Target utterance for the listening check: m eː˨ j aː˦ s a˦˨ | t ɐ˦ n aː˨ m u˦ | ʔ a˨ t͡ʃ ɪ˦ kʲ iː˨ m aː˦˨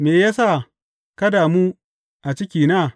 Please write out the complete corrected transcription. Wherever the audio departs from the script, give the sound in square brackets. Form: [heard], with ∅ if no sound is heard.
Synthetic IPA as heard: m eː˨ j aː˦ s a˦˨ | [k] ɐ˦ [d] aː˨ m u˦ | ʔ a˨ t͡ʃ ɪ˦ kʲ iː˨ [n] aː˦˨